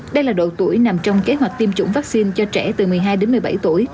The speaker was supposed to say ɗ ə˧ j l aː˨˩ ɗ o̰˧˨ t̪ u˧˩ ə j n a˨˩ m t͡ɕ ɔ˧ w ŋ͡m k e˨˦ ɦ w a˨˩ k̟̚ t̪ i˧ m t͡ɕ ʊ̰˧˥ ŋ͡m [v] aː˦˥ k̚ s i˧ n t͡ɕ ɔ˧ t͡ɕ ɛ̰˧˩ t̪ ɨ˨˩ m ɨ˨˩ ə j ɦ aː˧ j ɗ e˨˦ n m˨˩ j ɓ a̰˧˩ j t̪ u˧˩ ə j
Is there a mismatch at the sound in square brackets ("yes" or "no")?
no